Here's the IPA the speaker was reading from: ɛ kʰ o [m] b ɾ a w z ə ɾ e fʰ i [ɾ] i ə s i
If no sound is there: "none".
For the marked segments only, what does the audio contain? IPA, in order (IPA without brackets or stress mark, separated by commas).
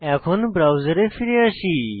n, ɾ